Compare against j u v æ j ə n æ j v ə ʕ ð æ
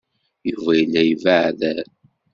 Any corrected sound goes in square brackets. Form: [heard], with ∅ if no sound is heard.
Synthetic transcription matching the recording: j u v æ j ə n æ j v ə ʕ ð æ